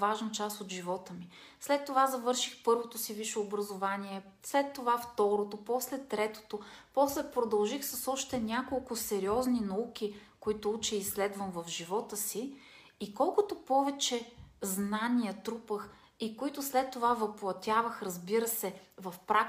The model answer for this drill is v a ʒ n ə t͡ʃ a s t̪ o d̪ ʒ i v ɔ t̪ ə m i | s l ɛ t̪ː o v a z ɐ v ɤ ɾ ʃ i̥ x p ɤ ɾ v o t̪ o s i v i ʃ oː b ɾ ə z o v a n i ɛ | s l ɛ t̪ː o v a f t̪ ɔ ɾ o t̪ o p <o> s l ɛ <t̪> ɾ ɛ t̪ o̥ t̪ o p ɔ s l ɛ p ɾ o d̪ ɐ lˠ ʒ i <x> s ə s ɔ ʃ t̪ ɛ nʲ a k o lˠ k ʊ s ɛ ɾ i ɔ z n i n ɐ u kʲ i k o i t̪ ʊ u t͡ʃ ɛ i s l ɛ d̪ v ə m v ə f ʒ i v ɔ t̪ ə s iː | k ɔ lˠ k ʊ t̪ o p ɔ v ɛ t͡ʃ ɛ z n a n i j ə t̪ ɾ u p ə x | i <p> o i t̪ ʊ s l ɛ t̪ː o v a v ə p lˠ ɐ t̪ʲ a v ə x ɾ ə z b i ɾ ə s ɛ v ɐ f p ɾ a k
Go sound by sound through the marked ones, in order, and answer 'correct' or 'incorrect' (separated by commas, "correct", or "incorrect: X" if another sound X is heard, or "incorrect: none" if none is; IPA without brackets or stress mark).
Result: incorrect: ɔ, correct, correct, incorrect: k